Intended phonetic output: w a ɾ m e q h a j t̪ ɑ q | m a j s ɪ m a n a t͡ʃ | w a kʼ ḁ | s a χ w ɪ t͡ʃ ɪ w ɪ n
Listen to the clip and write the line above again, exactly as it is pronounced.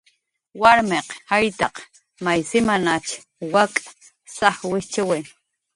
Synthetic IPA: w a ɾ m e q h a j t̪ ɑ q | m a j s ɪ m a n a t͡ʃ | w a kʼ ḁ | s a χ w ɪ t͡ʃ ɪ w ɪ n